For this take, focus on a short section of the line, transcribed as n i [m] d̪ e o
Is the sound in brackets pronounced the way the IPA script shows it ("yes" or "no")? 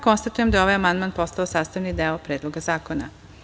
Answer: no